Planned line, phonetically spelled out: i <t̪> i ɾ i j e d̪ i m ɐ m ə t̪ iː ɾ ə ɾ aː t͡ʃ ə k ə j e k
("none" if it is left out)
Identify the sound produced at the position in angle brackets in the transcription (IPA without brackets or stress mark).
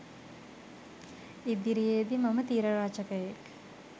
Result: d̪